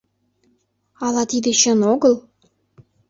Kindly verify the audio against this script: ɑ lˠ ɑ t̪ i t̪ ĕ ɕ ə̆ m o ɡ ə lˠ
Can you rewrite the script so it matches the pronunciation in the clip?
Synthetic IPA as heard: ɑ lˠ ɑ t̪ i d̪ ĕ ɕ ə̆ n o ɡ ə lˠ